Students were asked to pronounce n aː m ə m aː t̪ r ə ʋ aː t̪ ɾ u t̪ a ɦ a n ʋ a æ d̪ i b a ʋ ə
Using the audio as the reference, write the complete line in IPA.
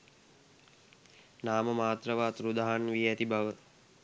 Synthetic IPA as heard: n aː m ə m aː t̪ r ə ʋ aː t̪ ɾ u d̪ a ɦ a n ʋ i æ t̪ i b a ʋ ə